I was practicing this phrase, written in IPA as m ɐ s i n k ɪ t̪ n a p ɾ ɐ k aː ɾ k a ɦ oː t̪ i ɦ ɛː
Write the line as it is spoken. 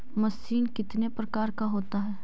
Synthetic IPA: m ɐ s iː n k ɪ t̪ n e p ɾ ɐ k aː ɾ k a ɦ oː t̪ a ɦ ɛː